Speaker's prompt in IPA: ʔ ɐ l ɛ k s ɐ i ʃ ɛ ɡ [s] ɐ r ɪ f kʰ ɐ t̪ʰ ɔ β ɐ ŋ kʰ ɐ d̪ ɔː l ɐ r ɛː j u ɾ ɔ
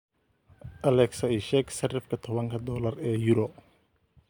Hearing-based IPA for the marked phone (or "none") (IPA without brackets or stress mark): s